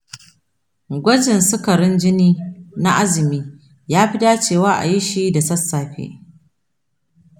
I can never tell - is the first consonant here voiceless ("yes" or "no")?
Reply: no